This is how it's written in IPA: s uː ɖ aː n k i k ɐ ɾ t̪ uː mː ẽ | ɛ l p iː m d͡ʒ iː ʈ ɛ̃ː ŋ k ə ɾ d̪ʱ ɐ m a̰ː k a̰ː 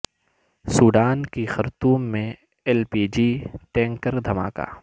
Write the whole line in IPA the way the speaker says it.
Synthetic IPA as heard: s uː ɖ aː n k i x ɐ ɾ t̪ uː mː ẽ | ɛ l p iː d͡ʒ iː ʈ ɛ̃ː ŋ k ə ɾ d̪ʱ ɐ m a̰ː k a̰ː

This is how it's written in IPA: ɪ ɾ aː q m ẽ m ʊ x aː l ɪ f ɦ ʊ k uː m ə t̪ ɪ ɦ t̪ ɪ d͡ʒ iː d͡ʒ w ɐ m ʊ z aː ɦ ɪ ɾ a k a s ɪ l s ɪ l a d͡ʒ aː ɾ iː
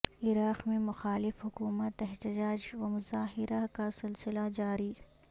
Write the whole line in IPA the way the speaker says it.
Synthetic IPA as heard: ɪ ɾ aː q m ẽ m ʊ x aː l ɪ f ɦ ʊ k uː m ə t̪ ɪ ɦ t̪ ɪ d͡ʒ aː d͡ʒ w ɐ m ʊ z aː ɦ ɪ ɾ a k a s ɪ l s ɪ l a d͡ʒ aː ɾ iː

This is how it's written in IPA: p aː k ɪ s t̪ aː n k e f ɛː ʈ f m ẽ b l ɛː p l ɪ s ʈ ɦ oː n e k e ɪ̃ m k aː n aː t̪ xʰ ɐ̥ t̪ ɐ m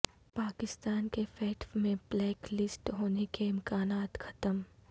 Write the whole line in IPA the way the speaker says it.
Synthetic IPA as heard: p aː k ɪ s t̪ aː n k e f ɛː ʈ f m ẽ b l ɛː k l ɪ s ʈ ɦ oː n e k e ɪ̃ m k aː n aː t̪ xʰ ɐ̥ t̪ ə m

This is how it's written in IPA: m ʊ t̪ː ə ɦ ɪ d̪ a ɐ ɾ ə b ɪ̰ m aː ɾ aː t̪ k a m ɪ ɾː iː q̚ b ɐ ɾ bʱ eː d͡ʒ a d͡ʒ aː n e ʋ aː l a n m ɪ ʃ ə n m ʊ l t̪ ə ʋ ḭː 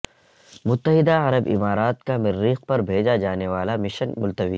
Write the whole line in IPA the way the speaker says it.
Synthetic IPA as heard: m ʊ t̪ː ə ɦ ɪ d̪ a ɐ ɾ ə b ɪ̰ m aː ɾ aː t̪ k a m ɪ ɾː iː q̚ p ɐ ɾ bʱ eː d͡ʒ a d͡ʒ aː n e ʋ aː l a m ɪ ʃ ə n m ʊ l t̪ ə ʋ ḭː

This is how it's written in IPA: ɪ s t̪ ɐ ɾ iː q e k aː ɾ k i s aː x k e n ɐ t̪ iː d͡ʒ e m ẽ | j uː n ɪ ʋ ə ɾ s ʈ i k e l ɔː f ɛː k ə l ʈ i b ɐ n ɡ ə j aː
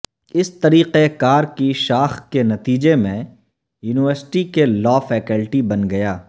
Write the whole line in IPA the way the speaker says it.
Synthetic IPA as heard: ɪ s t̪ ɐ ɾ iː q e k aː ɾ k i ʃ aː x k e n ɐ t̪ iː d͡ʒ e m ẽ | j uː n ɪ ʋ ə ɾ s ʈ i k e l ɔː f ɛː k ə l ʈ i b ɐ n ɡ ɐ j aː

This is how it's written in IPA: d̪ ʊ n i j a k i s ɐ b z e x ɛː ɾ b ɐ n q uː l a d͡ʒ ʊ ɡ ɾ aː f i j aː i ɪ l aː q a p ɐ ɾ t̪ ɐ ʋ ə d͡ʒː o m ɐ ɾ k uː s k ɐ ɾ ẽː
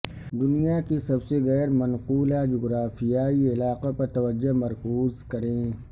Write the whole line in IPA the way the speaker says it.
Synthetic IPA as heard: d̪ ʊ n i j a k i s ɐ b s e ɣ ɛː ɾ m ɐ n q uː l a d͡ʒ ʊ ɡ ɾ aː f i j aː i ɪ l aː q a p ɐ ɾ t̪ ɐ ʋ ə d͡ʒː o m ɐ ɾ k uː z k ɐ ɾ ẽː

